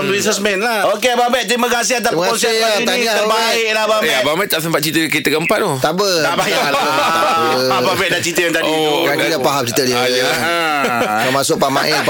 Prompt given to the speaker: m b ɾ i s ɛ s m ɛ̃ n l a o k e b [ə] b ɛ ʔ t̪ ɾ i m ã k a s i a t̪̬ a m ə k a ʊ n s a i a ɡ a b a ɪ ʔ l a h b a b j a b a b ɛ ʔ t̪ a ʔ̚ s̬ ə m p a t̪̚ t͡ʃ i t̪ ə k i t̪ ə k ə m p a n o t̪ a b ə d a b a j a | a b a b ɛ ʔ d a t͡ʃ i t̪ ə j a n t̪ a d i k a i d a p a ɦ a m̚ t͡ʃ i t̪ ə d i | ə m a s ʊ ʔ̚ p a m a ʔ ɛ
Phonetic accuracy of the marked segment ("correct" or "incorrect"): incorrect